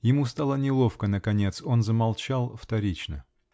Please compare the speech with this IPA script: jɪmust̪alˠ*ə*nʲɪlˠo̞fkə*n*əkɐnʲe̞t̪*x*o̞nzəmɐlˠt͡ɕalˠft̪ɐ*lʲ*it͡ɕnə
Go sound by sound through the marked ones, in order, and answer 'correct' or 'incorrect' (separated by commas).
correct, correct, incorrect, incorrect